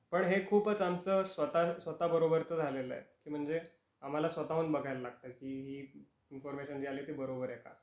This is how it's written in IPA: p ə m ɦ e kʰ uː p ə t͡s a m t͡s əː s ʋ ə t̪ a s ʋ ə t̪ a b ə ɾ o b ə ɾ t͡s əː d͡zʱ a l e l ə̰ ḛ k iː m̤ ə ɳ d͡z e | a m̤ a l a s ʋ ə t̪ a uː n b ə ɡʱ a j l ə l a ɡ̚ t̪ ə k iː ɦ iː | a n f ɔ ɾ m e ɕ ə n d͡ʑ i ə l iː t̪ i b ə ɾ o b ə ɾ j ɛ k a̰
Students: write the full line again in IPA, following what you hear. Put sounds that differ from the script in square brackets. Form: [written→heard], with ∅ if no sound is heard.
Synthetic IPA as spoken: p ə [m→ɳ] ɦ e kʰ uː p ə t͡s a m t͡s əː s ʋ ə t̪ a s ʋ ə t̪ a b ə ɾ o b ə ɾ t͡s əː d͡zʱ a l e l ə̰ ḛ k iː m̤ ə ɳ d͡z e | a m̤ a l a s ʋ ə t̪ a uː n b ə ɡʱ a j l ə l a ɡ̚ t̪ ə k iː ɦ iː | [a→i] n f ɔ ɾ m e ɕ ə n d͡ʑ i [ə→a] l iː t̪ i b ə ɾ o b ə ɾ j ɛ k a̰